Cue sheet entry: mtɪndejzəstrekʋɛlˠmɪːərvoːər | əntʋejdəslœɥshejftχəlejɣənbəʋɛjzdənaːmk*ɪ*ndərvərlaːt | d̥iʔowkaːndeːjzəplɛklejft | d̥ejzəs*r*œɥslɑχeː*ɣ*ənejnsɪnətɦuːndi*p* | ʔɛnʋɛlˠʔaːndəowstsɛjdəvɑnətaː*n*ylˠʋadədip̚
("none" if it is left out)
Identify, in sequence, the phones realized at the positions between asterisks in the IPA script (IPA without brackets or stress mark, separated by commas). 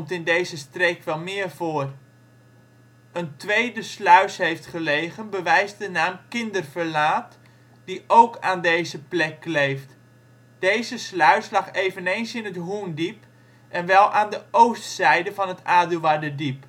ɪ, l, v, p, d